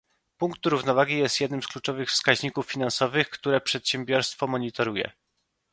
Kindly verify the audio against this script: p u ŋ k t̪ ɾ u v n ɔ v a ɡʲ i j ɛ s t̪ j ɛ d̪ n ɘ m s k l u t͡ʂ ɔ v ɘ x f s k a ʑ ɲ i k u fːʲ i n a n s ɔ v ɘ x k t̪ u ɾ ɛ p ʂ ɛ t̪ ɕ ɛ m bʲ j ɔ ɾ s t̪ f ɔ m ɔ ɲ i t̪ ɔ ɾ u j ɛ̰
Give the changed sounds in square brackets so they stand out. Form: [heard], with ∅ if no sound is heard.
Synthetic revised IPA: p u ŋ k t̪ ɾ u v n ɔ v a ɡʲ i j ɛ s t̪ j ɛ d̪ n ɘ m s k l u t͡ʂ ɔ v ɘ x f s k a ʑ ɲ i k u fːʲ i n a n s ɔ v ɘ x k t̪ u ɾ ɛ p ʂ ɛ t̪ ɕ ɛ m bʲ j ɔ ɾ s t̪ f ɔ m ɔ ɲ i t̪ ɔ ɾ u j ɛ̰